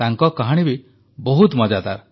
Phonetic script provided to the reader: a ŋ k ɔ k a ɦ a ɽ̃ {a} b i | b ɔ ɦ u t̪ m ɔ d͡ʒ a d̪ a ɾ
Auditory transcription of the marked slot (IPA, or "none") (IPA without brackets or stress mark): i